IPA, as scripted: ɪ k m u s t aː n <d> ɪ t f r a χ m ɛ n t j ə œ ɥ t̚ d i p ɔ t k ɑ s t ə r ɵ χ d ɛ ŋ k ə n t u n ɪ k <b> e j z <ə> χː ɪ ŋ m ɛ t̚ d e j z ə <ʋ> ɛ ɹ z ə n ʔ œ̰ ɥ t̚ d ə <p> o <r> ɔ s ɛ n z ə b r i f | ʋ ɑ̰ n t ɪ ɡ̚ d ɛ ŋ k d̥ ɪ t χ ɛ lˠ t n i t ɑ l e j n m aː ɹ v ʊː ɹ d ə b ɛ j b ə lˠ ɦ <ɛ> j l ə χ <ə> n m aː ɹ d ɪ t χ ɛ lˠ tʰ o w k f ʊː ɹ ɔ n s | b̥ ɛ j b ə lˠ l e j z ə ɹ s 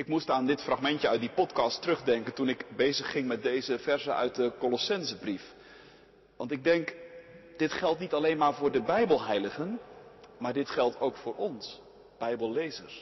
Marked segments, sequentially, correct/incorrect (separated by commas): correct, correct, correct, incorrect, incorrect, incorrect, correct, correct